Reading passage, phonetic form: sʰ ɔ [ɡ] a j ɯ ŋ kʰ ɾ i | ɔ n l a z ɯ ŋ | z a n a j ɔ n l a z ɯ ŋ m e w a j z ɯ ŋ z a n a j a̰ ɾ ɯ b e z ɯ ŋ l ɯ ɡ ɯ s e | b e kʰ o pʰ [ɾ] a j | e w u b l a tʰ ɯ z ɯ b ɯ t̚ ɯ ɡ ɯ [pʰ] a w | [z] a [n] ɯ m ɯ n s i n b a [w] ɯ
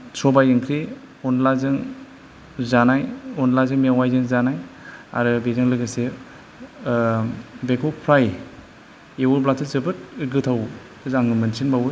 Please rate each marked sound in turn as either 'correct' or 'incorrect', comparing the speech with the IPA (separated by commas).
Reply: incorrect, correct, incorrect, correct, incorrect, correct